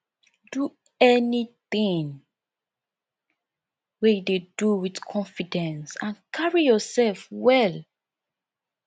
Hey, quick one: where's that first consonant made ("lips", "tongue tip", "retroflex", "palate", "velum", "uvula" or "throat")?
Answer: tongue tip